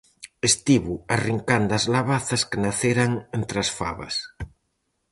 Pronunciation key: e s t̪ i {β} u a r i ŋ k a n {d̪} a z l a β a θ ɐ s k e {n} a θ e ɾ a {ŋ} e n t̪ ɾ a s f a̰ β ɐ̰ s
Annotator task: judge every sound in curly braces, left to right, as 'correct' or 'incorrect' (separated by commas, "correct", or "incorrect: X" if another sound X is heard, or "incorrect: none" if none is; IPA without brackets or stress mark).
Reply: correct, correct, correct, correct